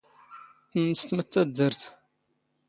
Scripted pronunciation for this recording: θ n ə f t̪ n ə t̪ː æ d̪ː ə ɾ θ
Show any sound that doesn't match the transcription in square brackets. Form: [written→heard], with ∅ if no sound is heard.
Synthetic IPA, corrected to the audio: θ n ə [f→s] t̪ [n→m] ə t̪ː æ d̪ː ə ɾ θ

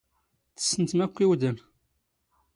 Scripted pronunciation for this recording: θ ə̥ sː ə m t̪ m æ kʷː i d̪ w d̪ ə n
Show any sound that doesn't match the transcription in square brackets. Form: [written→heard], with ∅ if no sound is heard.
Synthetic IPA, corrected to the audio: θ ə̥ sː ə [m→n] t̪ m æ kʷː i [d̪→∅] w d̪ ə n

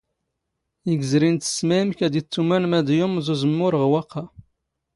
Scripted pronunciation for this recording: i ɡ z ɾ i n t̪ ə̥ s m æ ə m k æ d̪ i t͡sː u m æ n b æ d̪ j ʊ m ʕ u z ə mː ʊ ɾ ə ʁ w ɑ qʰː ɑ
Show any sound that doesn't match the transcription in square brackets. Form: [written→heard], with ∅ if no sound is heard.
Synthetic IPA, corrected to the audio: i ɡ z ɾ i n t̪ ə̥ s m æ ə m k æ d̪ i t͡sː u m æ n [b→m] æ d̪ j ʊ m [ʕ→z] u z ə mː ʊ ɾ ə ʁ w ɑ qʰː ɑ

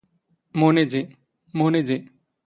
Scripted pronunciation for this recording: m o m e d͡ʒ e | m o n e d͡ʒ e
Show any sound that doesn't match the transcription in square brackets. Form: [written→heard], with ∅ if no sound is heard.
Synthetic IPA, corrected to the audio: m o [m→n] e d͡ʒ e | m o n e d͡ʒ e

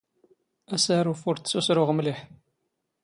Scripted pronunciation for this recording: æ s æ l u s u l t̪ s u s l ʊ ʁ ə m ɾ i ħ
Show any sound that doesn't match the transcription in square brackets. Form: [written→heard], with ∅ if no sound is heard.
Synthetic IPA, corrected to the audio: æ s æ [l→ɾ] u [s→f] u [l→ɾ] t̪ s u s [l→ɾ] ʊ ʁ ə m [ɾ→l] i ħ

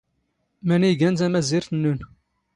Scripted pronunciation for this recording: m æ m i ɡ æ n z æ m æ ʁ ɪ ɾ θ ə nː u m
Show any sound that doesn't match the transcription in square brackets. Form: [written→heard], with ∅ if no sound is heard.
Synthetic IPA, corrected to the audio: m æ [m→n] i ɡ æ n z æ m æ [ʁ→z] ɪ ɾ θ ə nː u [m→n]

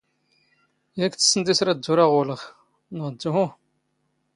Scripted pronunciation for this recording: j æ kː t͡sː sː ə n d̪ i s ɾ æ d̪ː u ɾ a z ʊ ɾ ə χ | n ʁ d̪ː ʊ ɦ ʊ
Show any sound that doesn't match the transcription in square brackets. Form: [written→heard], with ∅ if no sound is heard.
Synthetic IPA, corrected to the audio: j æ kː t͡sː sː ə n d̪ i s ɾ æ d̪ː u ɾ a [z→ʁ] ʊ [ɾ→l] ə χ | n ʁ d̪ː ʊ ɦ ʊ

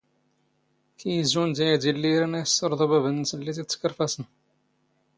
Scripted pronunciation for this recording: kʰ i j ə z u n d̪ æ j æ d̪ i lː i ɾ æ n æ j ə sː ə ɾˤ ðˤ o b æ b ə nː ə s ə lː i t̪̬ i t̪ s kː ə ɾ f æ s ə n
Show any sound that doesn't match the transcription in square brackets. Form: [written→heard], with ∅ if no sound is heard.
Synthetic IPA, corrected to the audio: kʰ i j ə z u n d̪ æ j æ d̪ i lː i ɾ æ n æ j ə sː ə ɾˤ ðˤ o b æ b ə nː ə s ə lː i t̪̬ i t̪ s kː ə ɾ f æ s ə n

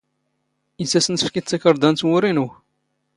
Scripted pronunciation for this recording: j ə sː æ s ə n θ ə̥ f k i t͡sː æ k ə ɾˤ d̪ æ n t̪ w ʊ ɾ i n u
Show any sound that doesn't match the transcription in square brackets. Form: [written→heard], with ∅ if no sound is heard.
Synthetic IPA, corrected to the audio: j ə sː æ s ə n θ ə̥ f k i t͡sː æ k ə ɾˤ d̪ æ n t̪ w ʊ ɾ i n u

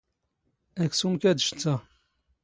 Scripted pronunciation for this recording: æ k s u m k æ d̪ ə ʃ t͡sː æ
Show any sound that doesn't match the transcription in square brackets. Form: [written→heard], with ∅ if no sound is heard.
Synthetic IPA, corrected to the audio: æ k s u m k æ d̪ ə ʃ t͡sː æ

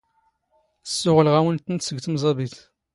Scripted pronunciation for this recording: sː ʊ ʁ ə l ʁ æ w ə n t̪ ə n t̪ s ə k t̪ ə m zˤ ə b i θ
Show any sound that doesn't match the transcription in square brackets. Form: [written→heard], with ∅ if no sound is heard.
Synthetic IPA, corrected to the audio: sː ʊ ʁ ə l ʁ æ w ə n t̪ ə n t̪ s ə [k→ɡ] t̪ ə m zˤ [ə→ɑ] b i θ

